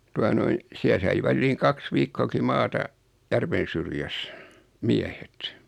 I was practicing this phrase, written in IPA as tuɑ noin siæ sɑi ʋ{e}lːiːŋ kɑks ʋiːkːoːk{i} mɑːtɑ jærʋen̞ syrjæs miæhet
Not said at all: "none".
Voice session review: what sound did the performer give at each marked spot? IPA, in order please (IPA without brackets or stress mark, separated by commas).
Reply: æ, i